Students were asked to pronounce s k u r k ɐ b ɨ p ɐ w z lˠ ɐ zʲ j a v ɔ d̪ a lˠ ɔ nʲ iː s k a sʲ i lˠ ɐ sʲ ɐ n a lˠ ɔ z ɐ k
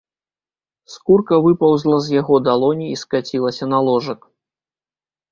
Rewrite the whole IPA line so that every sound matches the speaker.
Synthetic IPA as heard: s k u r k ɐ v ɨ p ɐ w z lˠ ɐ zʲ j a ɣ ɔ d̪ a lˠ ɔ nʲ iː s k a t͡sʲ i lˠ ɐ sʲ ɐ n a lˠ ɔ ʐ ɐ k